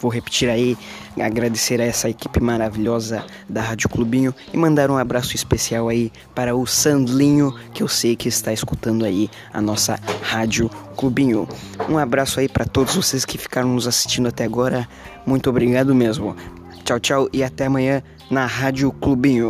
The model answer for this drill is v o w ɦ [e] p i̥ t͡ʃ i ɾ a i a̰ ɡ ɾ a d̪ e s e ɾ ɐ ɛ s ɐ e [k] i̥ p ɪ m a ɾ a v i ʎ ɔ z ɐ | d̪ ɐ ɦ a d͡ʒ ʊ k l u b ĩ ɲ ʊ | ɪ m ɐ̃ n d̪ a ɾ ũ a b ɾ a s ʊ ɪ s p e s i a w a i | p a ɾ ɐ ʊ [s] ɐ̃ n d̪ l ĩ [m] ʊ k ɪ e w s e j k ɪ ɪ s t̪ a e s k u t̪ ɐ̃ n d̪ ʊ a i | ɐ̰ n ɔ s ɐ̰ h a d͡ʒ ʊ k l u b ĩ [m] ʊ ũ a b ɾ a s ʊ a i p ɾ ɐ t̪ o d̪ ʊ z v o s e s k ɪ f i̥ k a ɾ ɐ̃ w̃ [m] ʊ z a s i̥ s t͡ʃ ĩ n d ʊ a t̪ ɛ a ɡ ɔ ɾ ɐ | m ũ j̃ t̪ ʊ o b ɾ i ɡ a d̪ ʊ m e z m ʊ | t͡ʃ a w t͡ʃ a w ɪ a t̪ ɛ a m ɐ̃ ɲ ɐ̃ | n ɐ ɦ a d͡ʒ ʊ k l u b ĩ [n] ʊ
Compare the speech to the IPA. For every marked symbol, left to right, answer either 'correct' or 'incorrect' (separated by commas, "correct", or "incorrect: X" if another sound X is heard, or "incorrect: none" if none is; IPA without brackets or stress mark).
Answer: correct, correct, correct, incorrect: ɲ, incorrect: ɲ, incorrect: n, incorrect: ɲ